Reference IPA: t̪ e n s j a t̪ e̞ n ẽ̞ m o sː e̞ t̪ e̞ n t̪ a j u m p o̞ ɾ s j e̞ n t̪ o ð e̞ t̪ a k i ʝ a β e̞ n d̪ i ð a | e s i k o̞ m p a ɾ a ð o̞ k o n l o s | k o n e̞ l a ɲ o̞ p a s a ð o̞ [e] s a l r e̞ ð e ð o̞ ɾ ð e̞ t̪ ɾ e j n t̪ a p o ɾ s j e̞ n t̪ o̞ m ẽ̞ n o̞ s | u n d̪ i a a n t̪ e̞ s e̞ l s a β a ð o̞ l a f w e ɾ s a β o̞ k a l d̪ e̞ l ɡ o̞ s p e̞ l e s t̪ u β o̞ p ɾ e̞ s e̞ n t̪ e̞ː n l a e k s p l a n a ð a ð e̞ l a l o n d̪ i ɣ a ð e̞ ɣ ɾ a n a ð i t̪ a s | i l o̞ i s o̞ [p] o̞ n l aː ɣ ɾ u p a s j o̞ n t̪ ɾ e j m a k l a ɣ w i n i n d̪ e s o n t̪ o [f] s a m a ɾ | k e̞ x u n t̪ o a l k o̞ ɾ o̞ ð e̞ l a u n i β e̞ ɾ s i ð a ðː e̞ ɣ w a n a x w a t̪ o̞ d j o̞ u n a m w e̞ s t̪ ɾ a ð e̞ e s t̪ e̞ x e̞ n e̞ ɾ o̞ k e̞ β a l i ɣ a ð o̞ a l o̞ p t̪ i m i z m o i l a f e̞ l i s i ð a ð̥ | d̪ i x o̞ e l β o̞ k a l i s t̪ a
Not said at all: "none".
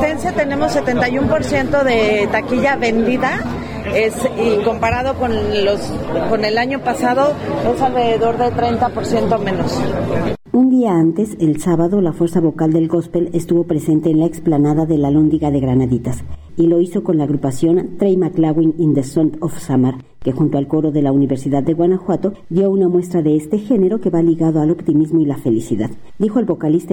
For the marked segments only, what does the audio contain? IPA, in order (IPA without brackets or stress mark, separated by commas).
e, k, f